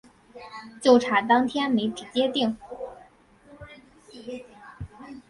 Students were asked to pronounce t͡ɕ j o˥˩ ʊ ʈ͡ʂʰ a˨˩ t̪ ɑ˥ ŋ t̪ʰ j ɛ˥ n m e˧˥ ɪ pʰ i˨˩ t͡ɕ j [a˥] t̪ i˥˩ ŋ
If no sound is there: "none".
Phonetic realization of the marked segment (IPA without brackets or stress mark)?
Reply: ɛ˥